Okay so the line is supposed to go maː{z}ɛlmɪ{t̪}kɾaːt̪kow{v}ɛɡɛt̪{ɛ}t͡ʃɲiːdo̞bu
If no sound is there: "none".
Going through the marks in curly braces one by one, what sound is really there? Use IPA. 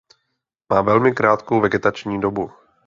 v, none, v, a

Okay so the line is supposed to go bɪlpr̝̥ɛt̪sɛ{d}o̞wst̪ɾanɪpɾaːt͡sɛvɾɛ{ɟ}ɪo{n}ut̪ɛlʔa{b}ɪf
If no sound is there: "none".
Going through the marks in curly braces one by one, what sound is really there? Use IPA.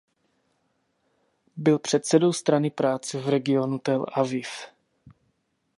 d, ɡ, n, v

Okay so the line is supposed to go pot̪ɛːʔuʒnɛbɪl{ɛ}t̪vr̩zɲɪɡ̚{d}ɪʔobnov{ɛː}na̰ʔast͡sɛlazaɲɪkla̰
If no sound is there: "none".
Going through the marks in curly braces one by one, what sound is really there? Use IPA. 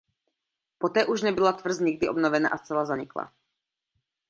a, d, ɛ

